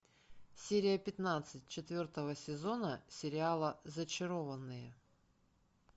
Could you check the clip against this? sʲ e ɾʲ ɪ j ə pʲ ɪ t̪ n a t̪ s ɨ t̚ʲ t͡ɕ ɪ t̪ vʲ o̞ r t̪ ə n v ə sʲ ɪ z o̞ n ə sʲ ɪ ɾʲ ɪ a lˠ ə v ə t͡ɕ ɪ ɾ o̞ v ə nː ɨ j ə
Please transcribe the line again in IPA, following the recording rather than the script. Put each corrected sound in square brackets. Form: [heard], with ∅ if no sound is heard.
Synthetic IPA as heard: sʲ e ɾʲ ɪ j ə pʲ ɪ t̪ n a t̪ s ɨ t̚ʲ t͡ɕ ɪ t̪ vʲ o̞ r t̪ ə [∅] v ə sʲ ɪ z o̞ n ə sʲ ɪ ɾʲ ɪ a lˠ ə [z] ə t͡ɕ ɪ ɾ o̞ v ə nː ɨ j ə

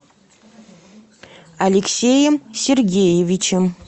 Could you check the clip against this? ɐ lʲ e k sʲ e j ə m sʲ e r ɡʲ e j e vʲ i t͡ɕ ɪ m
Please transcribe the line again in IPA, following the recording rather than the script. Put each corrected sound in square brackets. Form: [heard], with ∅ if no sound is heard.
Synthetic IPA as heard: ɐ lʲ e k sʲ e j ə m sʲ e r ɡʲ e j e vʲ i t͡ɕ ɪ m

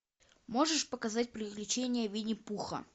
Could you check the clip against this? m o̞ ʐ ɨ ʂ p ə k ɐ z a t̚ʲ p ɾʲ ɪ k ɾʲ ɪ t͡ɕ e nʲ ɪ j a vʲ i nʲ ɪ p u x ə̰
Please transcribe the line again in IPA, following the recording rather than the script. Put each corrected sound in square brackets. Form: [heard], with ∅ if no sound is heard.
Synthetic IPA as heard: m o̞ ʐ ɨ ʂ p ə k ɐ z a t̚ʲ p ɾʲ ɪ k [lʲ] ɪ t͡ɕ e nʲ ɪ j [ə] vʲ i nʲ ɪ p u x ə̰

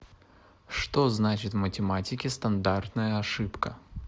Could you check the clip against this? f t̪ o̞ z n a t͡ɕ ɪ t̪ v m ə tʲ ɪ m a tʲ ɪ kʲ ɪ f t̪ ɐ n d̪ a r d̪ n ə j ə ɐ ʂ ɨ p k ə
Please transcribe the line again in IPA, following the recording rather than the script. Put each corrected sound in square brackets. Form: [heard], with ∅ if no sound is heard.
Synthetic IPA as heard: [ʂ] t̪ o̞ z n a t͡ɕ ɪ t̪ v m ə tʲ ɪ m a tʲ ɪ kʲ ɪ [s] t̪ ɐ n d̪ a r [t̪] n ə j ə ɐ ʂ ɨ p k ə

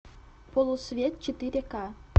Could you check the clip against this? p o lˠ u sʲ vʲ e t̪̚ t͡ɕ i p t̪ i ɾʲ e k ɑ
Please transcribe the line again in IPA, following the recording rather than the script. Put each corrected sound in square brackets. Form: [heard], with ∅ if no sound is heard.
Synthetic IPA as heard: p o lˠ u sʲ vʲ e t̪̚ t͡ɕ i [∅] t̪ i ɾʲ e k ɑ

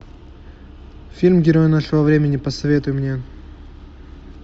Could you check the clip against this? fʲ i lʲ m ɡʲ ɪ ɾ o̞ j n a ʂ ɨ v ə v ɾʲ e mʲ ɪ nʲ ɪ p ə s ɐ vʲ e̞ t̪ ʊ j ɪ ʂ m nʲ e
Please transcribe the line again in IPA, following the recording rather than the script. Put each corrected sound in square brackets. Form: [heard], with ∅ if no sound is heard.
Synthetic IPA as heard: fʲ i lʲ m ɡʲ ɪ ɾ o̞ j n a ʂ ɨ v ə v ɾʲ e mʲ ɪ nʲ ɪ p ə s ɐ vʲ e̞ t̪ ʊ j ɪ [∅] m nʲ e

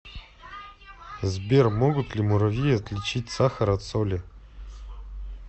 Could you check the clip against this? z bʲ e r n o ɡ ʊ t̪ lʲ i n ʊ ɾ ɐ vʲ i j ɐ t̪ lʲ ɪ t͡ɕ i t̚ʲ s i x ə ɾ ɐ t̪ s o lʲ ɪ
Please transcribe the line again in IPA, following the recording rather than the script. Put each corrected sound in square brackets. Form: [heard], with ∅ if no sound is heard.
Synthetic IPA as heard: z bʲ e r [m] o ɡ ʊ t̪ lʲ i [m] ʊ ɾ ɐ vʲ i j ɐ t̪ lʲ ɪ t͡ɕ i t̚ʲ s [a] x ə ɾ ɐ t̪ s o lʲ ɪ

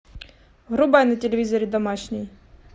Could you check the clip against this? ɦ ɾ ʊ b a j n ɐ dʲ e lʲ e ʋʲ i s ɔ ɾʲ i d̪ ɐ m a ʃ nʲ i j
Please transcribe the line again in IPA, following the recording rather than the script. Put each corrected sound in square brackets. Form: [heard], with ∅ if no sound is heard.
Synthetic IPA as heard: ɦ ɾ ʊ b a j n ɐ [tʲ] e lʲ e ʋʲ i [z] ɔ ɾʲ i d̪ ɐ m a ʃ nʲ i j

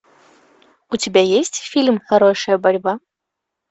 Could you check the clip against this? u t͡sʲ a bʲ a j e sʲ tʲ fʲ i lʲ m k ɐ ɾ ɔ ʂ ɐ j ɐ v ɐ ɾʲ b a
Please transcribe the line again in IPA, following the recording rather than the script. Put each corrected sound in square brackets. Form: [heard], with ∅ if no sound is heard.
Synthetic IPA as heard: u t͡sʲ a bʲ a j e sʲ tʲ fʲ i lʲ m [x] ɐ ɾ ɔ ʂ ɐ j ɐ [b] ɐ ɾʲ b a

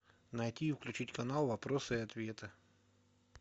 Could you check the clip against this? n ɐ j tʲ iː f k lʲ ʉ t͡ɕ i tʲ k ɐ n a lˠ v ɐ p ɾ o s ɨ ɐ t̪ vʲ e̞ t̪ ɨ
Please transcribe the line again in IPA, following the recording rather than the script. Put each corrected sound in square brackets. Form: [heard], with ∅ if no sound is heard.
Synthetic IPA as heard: n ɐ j tʲ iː f k lʲ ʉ t͡ɕ i tʲ k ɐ n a lˠ v ɐ p ɾ o s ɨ ɐ t̪ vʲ e̞ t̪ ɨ

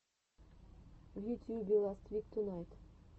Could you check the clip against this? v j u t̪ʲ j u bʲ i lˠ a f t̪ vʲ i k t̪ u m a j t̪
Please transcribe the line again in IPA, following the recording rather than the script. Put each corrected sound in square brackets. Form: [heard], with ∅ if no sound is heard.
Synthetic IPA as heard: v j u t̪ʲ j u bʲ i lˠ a [s] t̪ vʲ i k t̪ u [n] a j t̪

